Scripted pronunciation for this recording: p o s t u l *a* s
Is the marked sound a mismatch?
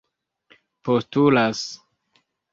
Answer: no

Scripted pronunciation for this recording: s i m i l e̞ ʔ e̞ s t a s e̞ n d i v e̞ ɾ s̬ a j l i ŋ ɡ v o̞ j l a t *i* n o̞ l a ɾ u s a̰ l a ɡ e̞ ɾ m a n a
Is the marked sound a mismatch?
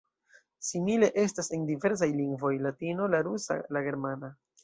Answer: no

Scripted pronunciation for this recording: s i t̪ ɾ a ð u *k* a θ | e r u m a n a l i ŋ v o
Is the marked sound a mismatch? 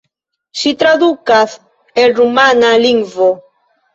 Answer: no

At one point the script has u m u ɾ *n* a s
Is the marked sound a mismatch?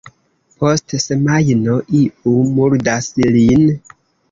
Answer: yes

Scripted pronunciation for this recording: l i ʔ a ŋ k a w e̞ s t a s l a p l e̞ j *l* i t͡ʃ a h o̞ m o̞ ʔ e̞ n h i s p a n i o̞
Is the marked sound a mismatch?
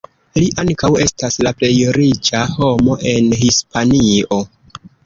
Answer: yes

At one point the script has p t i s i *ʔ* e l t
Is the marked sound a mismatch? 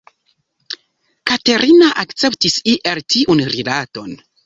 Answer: no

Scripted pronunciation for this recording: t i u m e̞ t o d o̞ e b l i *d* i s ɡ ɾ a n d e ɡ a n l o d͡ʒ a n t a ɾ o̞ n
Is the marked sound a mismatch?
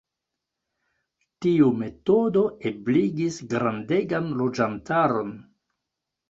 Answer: yes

